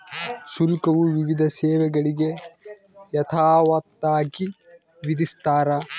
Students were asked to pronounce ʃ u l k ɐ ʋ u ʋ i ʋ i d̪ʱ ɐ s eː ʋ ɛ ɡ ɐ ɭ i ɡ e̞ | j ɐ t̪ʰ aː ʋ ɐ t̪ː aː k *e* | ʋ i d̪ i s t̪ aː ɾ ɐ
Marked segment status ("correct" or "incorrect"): incorrect